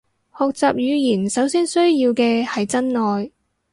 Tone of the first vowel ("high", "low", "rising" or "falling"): low